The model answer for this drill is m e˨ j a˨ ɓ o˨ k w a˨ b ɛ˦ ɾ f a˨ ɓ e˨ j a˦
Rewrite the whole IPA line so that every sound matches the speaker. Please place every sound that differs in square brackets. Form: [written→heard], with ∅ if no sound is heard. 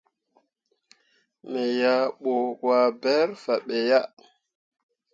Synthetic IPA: m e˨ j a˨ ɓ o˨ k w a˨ b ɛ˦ ɾ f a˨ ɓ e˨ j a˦